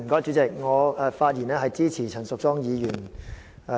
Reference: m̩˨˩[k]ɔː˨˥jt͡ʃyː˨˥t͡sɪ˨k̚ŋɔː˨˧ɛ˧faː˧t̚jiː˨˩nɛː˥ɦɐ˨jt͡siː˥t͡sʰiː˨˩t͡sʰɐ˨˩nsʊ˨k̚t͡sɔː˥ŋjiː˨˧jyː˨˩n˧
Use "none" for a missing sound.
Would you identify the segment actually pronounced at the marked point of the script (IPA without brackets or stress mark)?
k